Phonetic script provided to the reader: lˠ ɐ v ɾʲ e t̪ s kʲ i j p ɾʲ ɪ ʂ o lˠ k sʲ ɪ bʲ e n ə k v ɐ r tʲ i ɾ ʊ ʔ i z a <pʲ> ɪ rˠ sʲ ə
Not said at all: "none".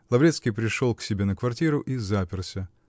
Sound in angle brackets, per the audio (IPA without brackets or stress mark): pʲ